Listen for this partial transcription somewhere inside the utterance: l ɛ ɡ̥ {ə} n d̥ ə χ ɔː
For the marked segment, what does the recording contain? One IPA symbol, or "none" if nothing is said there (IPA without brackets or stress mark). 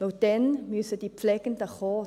ə